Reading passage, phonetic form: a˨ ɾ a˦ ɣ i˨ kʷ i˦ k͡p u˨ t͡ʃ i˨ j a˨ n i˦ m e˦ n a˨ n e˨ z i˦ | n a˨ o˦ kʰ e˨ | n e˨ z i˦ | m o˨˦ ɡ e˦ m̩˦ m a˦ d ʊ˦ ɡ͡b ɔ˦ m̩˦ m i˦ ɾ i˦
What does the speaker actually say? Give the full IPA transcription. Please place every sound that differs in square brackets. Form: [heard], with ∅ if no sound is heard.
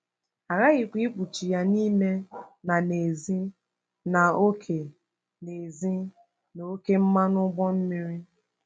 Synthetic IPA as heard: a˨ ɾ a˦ ɣ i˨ kʷ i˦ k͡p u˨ t͡ʃ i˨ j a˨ n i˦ m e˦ n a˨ n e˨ z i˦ | n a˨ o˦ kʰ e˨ | n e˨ z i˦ | [n] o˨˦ [k] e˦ m̩˦ m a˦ [n] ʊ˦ ɡ͡b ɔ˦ m̩˦ m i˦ ɾ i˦